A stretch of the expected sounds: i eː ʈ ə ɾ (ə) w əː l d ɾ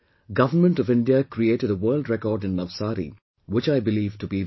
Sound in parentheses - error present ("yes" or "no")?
no